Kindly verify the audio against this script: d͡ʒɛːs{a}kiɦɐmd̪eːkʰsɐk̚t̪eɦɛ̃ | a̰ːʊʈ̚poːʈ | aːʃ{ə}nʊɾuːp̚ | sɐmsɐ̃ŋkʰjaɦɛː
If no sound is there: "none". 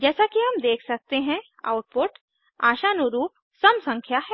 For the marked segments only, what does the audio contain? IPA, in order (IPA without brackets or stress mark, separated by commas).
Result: a, a